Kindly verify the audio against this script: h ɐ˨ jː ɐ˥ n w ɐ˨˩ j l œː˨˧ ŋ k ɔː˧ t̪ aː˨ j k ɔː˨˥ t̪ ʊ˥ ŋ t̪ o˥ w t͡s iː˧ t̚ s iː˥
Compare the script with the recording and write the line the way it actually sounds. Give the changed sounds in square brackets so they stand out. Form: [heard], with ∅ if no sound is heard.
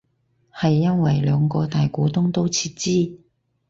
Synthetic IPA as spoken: h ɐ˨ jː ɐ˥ n w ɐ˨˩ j l œː˨˧ ŋ k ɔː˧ t̪ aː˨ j k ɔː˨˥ t̪ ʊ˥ ŋ t̪ o˥ w [t͡sʰ] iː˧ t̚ [t͡s] iː˥